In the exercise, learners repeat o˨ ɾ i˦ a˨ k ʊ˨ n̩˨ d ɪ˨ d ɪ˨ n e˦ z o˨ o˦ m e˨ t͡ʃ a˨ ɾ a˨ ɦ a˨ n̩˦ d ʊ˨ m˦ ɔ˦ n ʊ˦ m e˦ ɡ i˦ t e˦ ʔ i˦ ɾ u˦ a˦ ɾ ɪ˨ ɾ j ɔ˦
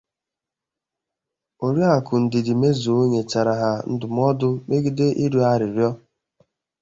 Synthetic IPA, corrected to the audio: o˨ ɾ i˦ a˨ k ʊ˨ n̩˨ d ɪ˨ d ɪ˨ m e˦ z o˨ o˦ ɲ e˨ t͡ʃ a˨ ɾ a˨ ɦ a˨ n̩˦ d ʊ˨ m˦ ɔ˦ d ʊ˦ m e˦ ɡ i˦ d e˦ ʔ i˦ ɾ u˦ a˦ ɾ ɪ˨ ɾ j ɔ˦